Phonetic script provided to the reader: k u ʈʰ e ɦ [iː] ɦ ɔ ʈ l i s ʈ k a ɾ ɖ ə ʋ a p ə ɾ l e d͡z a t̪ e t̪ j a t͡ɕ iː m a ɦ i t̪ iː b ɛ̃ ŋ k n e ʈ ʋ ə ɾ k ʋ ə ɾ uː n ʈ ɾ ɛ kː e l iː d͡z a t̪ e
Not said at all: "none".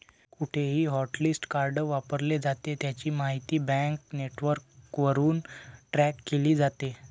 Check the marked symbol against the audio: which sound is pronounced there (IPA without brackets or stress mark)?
iː